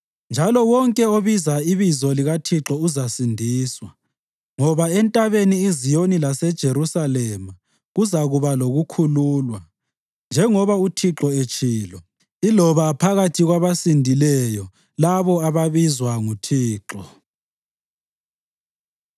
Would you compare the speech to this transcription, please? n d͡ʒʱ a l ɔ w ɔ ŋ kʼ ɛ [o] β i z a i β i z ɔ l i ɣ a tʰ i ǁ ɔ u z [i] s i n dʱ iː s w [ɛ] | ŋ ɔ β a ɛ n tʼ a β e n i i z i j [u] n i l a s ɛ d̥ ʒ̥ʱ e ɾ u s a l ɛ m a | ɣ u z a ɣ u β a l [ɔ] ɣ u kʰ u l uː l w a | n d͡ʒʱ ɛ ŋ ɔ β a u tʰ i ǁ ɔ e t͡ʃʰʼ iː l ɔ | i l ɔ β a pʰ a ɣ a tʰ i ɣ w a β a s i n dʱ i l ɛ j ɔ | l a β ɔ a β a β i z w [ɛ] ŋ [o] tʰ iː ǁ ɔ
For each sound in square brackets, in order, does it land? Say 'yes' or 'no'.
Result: yes, no, no, no, no, no, no

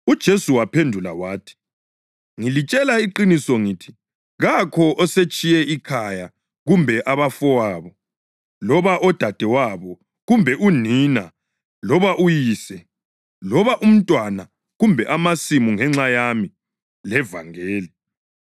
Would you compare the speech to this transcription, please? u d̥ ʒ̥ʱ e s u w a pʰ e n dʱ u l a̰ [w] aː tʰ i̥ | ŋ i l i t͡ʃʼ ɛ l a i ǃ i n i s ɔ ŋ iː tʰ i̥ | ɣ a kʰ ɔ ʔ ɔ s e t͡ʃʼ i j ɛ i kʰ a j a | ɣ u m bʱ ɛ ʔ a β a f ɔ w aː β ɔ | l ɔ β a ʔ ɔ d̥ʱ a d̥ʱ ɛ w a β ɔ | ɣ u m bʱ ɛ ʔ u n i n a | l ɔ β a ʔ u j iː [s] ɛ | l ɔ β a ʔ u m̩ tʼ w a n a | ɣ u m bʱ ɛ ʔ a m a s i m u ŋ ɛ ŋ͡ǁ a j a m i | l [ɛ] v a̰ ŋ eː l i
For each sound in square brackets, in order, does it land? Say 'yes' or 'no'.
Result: yes, yes, yes

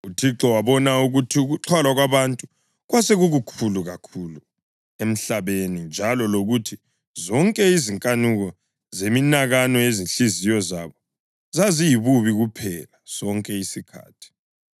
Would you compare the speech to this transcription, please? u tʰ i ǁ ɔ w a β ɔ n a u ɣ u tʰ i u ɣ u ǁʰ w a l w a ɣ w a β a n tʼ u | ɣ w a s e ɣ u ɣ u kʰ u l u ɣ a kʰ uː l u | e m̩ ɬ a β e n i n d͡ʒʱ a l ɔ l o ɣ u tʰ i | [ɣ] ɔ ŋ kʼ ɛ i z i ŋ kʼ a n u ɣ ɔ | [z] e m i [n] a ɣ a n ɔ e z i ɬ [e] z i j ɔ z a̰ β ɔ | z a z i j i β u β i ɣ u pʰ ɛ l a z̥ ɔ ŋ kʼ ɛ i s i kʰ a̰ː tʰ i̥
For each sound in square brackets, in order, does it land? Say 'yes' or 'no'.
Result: no, yes, yes, no

